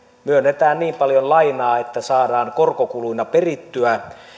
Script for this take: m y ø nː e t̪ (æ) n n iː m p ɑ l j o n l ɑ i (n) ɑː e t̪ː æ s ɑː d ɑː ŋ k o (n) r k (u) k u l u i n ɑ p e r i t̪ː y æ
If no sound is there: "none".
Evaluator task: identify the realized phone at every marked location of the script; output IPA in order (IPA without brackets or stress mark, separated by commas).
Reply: æː, n, none, o